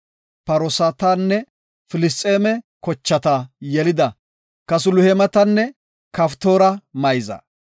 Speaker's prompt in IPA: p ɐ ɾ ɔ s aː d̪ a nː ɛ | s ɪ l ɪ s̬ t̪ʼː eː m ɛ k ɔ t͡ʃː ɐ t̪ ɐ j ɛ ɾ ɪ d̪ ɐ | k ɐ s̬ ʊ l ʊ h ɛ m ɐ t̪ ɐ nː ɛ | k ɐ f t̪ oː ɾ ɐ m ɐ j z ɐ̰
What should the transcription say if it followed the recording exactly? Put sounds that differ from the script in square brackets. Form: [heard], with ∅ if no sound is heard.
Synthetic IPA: p ɐ ɾ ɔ s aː [t̪] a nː ɛ | [f] ɪ l ɪ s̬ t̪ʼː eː m ɛ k ɔ t͡ʃː ɐ t̪ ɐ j ɛ [l] ɪ d̪ ɐ | k ɐ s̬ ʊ l ʊ h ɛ m ɐ t̪ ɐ nː ɛ | k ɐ f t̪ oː ɾ ɐ m ɐ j z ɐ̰

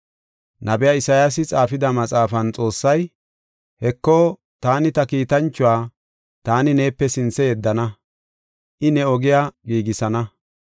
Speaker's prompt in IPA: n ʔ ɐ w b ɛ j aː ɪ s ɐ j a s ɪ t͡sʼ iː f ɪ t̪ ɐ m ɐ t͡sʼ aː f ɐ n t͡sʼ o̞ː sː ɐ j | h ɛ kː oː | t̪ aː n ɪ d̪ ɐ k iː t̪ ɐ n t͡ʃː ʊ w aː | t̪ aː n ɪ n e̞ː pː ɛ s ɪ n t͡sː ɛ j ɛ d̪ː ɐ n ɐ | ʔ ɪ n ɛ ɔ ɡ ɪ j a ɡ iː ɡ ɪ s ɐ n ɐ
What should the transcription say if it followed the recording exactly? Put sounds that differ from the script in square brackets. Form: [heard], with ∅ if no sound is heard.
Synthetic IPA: n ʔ ɐ [∅] b ɛ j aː ɪ s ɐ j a s ɪ t͡sʼ [aː] f ɪ [d̪] ɐ m ɐ t͡sʼ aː f ɐ n t͡sʼ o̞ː sː ɐ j | h ɛ kː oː | t̪ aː n ɪ [t̪] ɐ k iː t̪ ɐ n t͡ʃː ʊ w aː | t̪ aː n ɪ n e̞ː pː ɛ s ɪ n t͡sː ɛ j ɛ d̪ː ɐ n ɐ | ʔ ɪ n ɛ ɔ ɡ ɪ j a ɡ iː ɡ ɪ s ɐ n ɐ

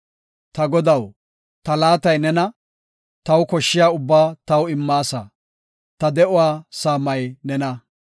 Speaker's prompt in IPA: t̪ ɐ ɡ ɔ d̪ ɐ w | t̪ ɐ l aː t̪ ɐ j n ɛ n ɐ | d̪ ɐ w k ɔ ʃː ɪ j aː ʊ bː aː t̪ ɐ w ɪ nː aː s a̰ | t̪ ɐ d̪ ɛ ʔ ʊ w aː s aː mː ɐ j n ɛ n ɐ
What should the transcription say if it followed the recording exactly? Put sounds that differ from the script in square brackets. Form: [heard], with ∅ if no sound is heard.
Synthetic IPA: t̪ ɐ ɡ ɔ d̪ ɐ w | t̪ ɐ l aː t̪ ɐ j n ɛ n ɐ | [t̪] ɐ w k ɔ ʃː ɪ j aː ʊ bː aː t̪ ɐ w ɪ [mː] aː s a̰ | t̪ ɐ d̪ ɛ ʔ ʊ w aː s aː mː ɐ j n ɛ n ɐ

